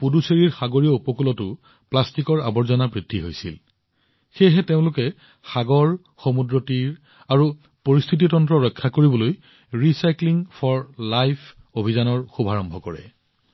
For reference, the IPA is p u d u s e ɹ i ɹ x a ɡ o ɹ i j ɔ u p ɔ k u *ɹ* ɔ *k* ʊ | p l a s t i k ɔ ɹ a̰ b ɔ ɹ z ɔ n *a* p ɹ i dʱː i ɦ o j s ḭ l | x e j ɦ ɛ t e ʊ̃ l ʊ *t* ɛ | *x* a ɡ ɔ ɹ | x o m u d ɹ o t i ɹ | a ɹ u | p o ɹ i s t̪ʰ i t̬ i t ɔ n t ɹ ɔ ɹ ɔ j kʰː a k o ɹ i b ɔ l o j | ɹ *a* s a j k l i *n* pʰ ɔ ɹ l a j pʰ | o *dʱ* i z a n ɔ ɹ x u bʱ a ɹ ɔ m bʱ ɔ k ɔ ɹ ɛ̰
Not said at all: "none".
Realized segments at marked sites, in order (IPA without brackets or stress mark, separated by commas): l, t, a, k, x, i, ŋ, bʱ